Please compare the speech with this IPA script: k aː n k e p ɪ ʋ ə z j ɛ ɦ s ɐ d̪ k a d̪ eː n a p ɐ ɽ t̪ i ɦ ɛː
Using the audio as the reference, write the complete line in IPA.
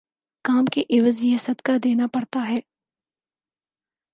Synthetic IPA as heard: k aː m k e ʔ ɪ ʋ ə z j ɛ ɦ s ɐ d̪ k a d̪ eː n a p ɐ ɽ t̪ a ɦ ɛː